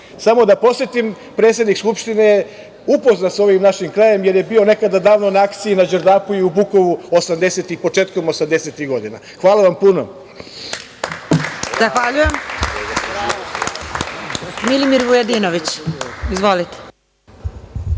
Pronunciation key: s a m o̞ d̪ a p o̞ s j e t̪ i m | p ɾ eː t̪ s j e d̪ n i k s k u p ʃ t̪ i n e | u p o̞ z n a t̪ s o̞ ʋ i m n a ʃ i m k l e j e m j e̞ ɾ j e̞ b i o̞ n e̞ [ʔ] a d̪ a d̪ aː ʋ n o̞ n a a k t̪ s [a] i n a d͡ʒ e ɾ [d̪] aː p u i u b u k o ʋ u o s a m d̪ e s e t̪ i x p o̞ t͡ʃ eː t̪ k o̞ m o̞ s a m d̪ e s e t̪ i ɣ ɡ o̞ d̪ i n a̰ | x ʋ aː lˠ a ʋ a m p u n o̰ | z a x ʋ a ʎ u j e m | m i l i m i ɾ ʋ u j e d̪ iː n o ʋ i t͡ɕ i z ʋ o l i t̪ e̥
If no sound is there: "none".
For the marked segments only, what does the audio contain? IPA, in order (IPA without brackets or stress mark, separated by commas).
k, i, d̪